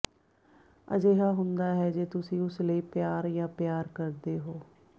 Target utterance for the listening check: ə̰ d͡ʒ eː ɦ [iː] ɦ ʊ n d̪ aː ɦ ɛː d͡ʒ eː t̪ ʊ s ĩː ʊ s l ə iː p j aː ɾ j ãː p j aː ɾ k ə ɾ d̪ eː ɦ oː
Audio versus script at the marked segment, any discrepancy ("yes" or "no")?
yes